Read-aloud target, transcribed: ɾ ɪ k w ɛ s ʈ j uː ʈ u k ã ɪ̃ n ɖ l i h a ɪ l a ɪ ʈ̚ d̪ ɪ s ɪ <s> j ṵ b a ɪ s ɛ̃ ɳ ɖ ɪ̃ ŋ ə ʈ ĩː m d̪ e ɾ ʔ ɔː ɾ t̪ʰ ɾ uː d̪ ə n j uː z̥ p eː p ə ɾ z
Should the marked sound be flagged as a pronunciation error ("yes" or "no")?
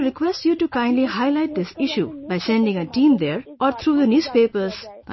yes